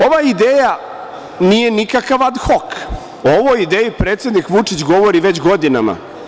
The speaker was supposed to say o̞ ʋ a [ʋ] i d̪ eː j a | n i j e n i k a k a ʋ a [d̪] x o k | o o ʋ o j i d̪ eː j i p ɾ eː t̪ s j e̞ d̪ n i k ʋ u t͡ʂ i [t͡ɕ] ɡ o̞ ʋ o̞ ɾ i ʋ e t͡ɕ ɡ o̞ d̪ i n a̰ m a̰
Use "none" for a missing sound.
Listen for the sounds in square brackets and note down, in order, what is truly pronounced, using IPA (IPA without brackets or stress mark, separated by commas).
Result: none, d̪, t͡ɕ